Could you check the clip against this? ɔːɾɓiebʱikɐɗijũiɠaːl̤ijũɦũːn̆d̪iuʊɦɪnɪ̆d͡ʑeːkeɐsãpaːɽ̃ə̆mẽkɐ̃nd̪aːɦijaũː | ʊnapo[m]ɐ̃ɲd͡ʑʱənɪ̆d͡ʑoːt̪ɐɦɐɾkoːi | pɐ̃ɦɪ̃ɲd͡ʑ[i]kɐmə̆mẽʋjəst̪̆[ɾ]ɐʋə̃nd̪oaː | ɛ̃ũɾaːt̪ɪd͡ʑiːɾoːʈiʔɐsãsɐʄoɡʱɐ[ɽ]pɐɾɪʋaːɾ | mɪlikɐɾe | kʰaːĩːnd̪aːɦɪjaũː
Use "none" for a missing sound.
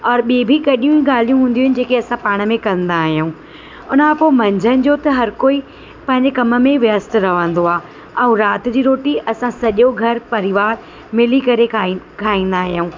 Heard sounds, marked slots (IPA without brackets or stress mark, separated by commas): m, e, ɾ, ɾ